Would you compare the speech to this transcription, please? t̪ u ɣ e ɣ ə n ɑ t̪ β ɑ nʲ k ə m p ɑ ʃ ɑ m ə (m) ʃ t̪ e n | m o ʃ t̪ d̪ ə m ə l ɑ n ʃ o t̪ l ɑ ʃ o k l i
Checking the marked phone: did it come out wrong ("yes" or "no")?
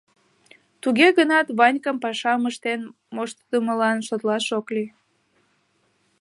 yes